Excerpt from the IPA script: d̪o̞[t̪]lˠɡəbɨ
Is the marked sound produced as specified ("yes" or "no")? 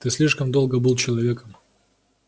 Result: no